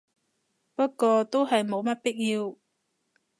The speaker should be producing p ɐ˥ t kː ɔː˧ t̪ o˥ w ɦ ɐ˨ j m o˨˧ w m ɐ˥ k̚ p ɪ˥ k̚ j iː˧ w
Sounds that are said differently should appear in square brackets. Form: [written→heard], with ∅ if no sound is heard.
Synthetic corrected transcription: p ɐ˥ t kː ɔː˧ t̪ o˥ w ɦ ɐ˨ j m o˨˧ w m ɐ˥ [k̚→t̚] p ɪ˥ k̚ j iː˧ w